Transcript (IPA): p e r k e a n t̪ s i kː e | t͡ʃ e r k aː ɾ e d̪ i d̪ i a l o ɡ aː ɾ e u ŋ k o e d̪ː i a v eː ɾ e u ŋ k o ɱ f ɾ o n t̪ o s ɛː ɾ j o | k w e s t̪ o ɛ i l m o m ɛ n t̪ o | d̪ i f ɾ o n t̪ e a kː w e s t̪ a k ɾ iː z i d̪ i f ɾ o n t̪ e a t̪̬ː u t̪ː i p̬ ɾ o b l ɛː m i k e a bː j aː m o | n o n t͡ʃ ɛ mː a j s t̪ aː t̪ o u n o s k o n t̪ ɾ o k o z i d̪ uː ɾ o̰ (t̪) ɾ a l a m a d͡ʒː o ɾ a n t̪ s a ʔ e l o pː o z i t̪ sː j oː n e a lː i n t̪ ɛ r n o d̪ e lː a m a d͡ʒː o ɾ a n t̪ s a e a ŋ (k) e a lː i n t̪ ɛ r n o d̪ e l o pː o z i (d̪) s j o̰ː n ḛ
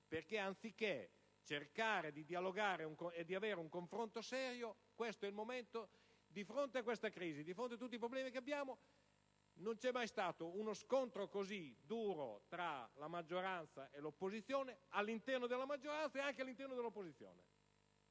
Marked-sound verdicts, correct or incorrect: correct, correct, incorrect: t̪

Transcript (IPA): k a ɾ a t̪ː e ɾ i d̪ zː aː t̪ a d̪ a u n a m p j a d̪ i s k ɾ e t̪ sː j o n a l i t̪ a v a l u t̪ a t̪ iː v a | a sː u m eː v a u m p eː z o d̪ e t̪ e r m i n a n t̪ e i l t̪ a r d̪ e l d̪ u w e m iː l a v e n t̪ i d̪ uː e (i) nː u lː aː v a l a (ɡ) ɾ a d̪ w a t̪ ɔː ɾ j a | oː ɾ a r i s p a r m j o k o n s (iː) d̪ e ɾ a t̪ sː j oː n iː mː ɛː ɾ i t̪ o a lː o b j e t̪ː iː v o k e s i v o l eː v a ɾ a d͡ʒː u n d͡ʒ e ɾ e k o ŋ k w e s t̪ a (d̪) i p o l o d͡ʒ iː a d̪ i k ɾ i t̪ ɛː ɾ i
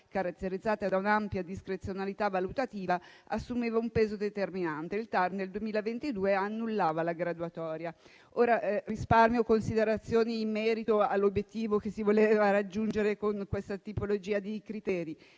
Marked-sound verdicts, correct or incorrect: incorrect: a, correct, incorrect: i, incorrect: t̪

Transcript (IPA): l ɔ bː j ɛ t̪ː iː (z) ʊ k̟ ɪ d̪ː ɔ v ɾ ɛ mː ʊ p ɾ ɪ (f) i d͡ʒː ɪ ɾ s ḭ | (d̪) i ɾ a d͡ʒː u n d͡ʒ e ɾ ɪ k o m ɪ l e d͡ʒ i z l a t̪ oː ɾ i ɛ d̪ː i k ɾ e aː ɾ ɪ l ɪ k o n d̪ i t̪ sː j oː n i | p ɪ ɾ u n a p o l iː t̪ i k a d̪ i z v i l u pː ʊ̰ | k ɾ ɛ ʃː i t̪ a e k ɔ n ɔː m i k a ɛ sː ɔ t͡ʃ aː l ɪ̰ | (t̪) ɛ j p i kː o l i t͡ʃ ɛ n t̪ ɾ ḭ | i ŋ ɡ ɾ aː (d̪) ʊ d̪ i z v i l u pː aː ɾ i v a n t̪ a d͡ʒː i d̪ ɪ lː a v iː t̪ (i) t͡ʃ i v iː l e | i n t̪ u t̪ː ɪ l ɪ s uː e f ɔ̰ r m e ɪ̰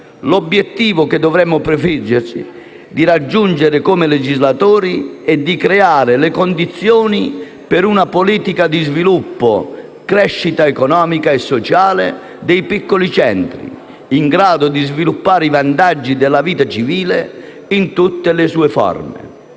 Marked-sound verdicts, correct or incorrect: incorrect: v, correct, correct, incorrect: d̪, correct, incorrect: a

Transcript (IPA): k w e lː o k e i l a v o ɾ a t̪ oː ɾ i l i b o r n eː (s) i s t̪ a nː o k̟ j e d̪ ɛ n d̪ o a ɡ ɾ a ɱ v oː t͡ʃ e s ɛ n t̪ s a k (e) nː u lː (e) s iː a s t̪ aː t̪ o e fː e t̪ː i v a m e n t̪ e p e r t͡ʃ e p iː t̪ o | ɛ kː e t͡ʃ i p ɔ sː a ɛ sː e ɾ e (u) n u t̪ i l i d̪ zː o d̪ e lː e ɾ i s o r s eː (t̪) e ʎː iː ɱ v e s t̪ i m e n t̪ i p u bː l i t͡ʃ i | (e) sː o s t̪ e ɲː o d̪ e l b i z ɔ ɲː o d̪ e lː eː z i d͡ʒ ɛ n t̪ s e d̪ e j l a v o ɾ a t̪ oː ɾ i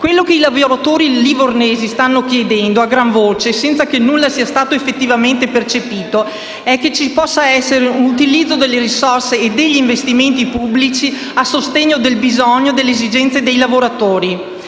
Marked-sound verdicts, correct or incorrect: incorrect: z, correct, incorrect: a, correct, incorrect: d̪, incorrect: a

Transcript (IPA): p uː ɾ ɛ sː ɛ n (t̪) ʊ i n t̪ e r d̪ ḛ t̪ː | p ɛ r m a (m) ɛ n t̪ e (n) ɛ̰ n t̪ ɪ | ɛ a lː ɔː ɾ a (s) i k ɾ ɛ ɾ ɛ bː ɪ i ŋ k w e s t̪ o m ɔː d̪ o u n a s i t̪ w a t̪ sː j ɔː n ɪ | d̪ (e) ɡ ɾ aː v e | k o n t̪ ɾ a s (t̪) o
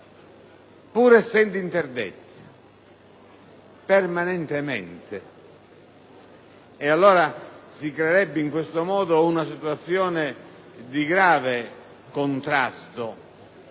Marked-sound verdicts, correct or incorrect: incorrect: d̪, incorrect: n, incorrect: m, correct, incorrect: i, correct

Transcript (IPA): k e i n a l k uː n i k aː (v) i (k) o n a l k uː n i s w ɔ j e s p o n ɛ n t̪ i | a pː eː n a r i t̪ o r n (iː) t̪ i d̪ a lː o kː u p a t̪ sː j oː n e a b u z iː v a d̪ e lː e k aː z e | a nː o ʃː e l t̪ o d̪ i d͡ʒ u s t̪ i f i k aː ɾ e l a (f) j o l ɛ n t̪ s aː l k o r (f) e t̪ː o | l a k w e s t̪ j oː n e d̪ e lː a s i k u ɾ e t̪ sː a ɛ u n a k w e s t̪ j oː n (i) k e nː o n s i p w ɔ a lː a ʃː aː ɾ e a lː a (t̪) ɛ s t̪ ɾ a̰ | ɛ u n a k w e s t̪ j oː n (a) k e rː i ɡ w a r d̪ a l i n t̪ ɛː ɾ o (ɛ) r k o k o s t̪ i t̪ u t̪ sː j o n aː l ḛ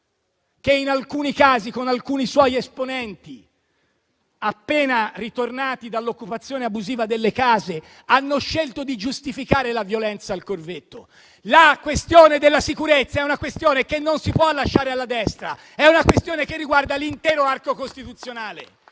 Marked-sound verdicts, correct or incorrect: incorrect: z, correct, incorrect: aː, incorrect: v, incorrect: v, incorrect: e, incorrect: d̪, incorrect: e, incorrect: a

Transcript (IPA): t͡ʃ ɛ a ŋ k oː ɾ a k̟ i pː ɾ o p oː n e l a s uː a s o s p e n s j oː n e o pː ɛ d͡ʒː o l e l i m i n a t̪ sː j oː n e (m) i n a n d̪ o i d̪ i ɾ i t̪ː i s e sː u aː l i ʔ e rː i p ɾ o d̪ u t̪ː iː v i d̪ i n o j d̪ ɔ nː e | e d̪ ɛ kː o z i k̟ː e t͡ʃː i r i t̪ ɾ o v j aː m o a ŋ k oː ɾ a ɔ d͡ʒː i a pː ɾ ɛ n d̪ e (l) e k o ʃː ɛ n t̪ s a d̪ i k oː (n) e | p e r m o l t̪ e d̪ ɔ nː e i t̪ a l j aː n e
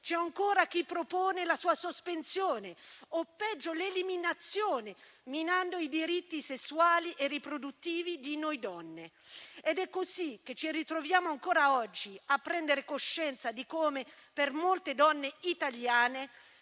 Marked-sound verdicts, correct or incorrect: correct, incorrect: ɾ, incorrect: m

